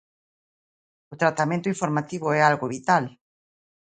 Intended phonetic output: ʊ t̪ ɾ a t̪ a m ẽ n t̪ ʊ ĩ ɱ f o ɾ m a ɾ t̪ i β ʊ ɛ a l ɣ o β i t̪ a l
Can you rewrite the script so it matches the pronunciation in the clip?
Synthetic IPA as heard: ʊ t̪ ɾ a t̪ a m ẽ n t̪ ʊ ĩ ɱ f o ɾ m a t̪ i β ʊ ɛ a l ɣ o β i t̪ a l